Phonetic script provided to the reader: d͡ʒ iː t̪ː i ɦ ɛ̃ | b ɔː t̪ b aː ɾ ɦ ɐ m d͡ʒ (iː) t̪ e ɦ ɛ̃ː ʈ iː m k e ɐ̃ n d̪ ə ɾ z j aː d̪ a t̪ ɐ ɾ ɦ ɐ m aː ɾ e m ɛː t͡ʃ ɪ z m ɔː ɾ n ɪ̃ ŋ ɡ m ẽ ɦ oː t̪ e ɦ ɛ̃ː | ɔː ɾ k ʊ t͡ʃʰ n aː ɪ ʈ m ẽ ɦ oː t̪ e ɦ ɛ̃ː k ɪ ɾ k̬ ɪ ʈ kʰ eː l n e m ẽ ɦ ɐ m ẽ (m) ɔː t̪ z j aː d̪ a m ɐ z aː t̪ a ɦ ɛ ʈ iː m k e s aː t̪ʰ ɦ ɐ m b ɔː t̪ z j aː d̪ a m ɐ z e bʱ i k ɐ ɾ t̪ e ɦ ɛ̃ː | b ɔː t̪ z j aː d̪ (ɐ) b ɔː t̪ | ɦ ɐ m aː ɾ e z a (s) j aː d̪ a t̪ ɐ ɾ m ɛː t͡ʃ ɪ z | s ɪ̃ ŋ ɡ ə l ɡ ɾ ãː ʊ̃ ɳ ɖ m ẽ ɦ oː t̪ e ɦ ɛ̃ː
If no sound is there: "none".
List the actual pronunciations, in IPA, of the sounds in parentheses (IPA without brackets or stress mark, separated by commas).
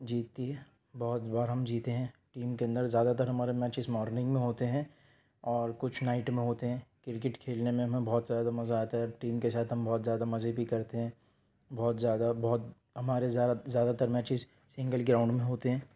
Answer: iː, b, a, z